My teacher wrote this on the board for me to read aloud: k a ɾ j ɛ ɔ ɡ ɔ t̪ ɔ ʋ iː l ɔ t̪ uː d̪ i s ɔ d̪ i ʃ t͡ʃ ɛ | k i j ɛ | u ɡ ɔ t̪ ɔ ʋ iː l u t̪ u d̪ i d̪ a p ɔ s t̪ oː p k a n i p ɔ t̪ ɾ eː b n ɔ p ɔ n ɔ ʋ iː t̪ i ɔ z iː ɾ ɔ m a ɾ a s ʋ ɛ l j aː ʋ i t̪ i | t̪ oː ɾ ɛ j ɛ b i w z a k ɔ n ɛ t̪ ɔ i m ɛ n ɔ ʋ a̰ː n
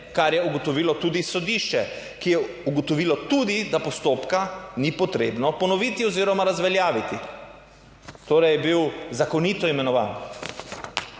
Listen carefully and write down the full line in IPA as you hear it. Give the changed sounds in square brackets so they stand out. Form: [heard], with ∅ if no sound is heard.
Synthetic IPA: k a ɾ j ɛ [u] ɡ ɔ t̪ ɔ ʋ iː l ɔ t̪ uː d̪ i s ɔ d̪ i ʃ t͡ʃ ɛ | k i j ɛ | u ɡ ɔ t̪ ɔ ʋ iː l [ɔ] t̪ u d̪ i d̪ a p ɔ s t̪ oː p k a n i p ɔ t̪ ɾ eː b n ɔ p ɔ n ɔ ʋ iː t̪ i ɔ z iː ɾ ɔ m a ɾ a [z] ʋ ɛ l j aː ʋ i t̪ i | t̪ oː ɾ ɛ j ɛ b i w z a k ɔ n [i] t̪ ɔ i m ɛ n ɔ ʋ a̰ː n